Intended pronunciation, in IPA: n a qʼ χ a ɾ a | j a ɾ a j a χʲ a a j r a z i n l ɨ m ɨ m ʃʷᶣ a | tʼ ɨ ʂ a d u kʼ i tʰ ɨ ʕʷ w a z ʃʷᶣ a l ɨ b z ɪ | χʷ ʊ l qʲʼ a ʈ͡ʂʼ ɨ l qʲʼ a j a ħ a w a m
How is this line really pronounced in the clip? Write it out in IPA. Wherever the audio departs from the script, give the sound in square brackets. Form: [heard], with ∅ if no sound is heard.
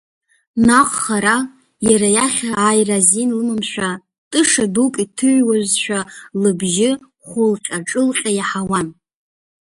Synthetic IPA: n a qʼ χ a ɾ a | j a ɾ a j a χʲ a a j r a z i n l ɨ m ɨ m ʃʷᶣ a | tʼ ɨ ʂ a d u kʼ i tʰ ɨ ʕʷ w a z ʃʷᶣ a l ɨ b [ʒ] ɪ | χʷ ʊ l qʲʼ a ʈ͡ʂʼ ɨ l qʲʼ a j a ħ a w a [n]